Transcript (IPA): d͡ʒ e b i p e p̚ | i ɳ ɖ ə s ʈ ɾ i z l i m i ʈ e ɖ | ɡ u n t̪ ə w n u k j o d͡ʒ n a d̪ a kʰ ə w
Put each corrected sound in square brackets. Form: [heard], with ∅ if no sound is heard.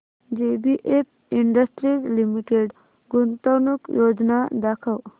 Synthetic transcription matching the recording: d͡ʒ e b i [ʔ] e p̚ | i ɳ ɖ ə s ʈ ɾ i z l i m i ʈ e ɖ | ɡ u n t̪ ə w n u k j o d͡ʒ n a d̪ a kʰ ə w